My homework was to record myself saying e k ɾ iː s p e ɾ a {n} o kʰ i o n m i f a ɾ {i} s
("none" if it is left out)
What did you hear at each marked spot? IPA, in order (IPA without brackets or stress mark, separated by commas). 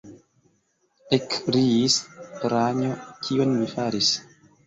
ɲ, i